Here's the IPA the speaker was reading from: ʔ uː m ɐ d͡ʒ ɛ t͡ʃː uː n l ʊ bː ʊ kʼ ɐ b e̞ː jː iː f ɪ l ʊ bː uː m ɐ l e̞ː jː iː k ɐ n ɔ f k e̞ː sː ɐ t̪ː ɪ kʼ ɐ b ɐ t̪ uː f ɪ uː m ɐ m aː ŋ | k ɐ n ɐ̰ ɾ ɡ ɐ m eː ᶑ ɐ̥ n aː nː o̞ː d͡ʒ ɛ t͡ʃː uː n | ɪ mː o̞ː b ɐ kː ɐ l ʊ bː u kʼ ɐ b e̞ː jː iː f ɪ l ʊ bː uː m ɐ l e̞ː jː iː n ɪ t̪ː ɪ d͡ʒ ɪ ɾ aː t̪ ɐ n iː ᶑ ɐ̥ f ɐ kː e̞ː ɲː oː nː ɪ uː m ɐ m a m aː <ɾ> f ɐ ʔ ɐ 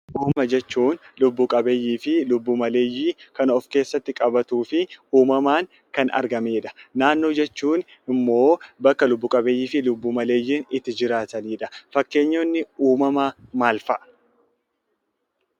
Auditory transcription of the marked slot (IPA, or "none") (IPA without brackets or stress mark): l